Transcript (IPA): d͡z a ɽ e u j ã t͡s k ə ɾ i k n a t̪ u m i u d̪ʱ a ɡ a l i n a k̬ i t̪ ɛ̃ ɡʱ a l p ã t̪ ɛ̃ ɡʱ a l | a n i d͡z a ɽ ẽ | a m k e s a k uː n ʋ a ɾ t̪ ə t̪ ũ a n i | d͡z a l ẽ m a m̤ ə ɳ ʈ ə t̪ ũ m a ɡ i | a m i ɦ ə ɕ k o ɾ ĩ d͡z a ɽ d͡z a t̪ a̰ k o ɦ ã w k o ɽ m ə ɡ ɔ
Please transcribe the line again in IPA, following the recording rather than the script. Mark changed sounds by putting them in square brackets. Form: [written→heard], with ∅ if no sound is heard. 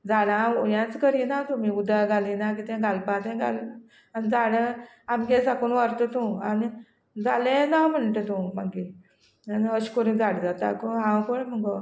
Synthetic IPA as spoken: d͡z a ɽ [e→a] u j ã t͡s k ə ɾ i [k→∅] n a t̪ u m i u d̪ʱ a ɡ a l i n a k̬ i t̪ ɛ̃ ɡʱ a l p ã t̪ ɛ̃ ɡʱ a l | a n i d͡z a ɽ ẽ | a m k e s a k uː n ʋ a ɾ t̪ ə t̪ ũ a n i | d͡z a l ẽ [m→n] a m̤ ə ɳ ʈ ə t̪ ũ m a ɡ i | a [m→n] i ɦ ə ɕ k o ɾ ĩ d͡z a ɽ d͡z a t̪ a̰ k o ɦ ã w k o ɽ m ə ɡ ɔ